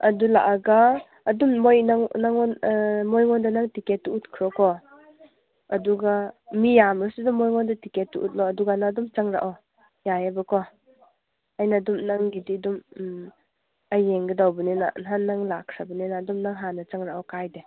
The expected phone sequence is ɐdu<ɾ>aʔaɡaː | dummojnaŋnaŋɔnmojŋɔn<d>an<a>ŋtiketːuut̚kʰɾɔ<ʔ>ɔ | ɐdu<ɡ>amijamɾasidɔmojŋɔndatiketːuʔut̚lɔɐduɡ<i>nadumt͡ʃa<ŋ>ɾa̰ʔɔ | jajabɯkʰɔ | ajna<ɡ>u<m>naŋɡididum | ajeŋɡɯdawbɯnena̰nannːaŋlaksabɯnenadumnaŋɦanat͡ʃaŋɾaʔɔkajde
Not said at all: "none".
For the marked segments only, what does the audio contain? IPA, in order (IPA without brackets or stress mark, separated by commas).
l, d, a, k, ɡ, a, ŋ, d, m